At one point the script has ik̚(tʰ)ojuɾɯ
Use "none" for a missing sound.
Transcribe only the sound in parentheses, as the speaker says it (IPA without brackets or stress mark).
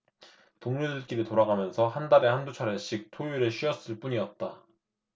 tʰ